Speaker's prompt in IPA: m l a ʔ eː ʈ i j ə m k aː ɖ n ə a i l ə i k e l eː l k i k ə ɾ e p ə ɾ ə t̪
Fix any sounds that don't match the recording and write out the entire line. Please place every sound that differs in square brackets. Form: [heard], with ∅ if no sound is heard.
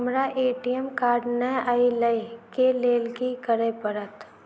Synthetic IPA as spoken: m [ɾ] a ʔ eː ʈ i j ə m k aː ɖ n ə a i l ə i k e l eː l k i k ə ɾ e p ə ɾ ə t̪